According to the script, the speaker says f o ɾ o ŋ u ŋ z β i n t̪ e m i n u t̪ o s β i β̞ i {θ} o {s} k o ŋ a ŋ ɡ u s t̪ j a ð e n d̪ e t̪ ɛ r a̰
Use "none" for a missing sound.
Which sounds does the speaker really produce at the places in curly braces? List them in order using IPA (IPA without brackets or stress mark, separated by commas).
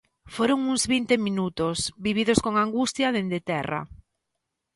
ð, s